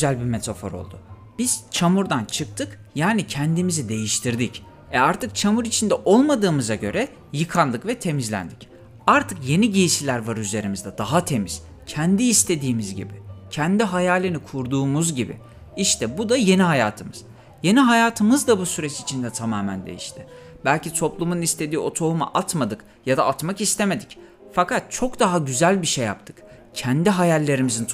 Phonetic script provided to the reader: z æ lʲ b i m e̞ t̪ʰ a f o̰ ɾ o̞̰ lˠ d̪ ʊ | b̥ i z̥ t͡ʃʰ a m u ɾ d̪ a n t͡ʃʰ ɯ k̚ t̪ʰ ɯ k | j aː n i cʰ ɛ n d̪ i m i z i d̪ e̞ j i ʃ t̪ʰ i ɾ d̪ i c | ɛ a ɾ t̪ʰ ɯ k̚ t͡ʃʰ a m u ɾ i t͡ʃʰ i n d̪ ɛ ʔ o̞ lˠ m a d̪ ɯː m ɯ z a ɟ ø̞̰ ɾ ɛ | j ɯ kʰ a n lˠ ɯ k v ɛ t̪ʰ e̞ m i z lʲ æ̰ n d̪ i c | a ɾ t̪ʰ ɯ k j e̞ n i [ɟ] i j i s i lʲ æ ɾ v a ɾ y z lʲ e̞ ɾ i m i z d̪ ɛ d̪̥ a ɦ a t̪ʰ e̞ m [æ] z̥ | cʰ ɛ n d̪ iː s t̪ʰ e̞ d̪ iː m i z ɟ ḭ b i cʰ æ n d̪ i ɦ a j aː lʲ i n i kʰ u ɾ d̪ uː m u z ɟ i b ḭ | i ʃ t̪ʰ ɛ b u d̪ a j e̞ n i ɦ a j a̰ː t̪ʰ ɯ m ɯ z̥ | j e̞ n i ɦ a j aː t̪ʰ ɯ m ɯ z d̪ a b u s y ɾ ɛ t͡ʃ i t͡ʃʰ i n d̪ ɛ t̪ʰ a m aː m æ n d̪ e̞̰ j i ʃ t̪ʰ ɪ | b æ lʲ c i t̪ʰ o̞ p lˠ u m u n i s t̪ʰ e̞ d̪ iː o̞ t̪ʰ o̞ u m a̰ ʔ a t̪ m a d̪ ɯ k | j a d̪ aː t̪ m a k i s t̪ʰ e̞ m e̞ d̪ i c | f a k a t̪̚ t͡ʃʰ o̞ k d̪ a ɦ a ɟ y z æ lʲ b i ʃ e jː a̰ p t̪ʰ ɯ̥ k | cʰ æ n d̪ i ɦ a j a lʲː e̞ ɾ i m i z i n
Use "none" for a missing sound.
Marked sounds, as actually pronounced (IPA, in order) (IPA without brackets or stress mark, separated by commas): ɟ, i